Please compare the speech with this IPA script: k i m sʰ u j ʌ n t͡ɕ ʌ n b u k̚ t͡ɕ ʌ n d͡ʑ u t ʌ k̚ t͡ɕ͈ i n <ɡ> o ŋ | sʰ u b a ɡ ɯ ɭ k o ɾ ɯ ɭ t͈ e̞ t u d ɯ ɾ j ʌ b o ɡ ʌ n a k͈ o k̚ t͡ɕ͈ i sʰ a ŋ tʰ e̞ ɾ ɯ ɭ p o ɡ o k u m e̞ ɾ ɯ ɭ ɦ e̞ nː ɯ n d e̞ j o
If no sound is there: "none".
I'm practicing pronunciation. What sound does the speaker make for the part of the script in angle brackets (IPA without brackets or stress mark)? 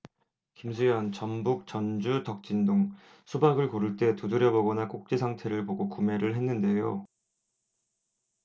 d